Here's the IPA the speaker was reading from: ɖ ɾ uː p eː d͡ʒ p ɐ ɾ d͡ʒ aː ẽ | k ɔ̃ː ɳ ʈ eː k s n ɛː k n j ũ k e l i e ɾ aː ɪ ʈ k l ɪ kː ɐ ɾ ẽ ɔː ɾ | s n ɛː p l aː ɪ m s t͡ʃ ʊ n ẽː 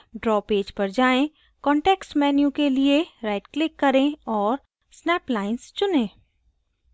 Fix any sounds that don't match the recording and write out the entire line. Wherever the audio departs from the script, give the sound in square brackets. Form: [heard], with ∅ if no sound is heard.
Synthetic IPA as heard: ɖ ɾ [ɔː] p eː d͡ʒ p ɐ ɾ d͡ʒ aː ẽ | k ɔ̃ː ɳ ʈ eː k s [m] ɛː [∅] n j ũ k e l i e ɾ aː ɪ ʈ k l ɪ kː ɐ ɾ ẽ ɔː ɾ | s n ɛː p l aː ɪ [n] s t͡ʃ ʊ n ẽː